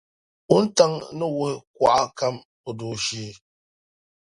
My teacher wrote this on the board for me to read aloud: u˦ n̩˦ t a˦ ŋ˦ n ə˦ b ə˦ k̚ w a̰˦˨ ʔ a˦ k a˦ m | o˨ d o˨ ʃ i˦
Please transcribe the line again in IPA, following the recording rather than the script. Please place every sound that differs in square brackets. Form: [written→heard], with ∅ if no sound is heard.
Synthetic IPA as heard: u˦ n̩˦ t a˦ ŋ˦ n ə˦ [b→w] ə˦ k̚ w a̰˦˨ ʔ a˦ k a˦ m | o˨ d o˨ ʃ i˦

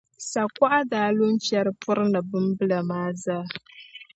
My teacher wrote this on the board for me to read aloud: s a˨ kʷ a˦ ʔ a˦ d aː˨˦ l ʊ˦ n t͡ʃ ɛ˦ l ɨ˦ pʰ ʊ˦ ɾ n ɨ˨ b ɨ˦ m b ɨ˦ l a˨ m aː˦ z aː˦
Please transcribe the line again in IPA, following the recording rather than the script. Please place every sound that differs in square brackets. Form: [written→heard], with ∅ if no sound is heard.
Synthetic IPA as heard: s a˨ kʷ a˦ ʔ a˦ d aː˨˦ l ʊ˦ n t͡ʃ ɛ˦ [l→ɾ] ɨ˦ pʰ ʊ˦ ɾ n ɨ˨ b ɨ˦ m b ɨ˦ l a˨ m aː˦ z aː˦

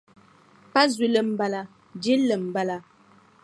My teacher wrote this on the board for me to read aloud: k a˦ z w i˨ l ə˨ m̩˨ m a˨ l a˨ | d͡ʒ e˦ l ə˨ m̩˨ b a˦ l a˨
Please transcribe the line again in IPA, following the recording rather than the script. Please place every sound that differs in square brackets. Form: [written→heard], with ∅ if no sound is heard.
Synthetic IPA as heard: [k→p] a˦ z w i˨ l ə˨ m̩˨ [m→b] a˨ l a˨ | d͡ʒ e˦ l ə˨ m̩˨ b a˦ l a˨

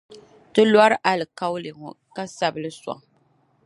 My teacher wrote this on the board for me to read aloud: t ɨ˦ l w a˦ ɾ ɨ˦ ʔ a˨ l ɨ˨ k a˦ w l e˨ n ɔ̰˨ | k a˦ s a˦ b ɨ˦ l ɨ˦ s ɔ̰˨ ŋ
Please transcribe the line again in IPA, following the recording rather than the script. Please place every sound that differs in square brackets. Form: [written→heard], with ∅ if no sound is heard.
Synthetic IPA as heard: t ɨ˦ l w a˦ ɾ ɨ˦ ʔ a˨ l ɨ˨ k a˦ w l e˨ [n→ŋ] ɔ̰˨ | k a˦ s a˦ b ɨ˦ l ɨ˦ s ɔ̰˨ ŋ

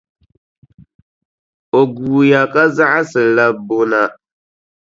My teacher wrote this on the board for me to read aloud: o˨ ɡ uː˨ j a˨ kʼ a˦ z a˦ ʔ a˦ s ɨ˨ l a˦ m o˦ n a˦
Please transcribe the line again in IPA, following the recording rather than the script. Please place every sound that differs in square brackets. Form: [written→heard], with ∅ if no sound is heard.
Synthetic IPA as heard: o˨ ɡ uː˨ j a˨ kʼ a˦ z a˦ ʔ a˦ s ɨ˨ l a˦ [m→b] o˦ n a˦

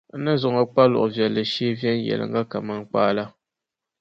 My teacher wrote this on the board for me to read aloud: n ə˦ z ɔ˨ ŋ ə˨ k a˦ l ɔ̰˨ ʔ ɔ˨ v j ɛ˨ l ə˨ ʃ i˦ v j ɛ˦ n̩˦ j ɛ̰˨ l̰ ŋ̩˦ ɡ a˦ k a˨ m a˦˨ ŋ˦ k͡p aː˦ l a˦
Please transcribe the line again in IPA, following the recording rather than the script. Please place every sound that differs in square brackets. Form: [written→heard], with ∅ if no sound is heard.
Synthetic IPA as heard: n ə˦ z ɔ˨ ŋ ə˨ [k→k͡p] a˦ l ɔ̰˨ ʔ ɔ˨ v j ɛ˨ l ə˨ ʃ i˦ v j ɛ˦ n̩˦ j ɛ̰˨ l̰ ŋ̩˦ ɡ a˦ k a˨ m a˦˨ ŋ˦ k͡p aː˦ l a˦

